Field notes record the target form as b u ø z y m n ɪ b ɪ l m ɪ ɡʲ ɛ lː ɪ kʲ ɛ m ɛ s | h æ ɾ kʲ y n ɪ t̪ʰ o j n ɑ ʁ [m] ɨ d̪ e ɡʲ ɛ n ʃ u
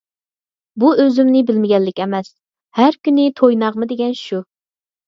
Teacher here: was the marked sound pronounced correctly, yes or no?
yes